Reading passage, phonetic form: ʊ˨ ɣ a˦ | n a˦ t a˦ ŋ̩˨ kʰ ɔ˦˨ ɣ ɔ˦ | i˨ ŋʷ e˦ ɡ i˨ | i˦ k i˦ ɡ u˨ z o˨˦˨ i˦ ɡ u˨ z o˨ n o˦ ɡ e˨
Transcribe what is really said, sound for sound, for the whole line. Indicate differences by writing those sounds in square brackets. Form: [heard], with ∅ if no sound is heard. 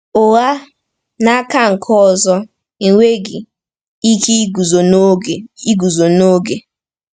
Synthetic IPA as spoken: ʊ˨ ɣ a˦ | n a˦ [k] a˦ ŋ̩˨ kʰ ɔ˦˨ [z] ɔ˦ | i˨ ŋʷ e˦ ɡ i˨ | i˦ k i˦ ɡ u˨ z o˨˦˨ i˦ ɡ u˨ z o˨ n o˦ ɡ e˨